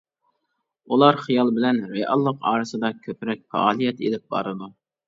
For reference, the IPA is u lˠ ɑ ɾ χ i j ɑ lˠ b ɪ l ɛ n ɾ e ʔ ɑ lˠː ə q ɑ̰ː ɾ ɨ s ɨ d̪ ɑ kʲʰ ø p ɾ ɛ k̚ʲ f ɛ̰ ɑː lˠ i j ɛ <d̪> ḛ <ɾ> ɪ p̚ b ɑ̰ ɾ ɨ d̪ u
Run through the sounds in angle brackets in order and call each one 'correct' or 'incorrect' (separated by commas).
incorrect, incorrect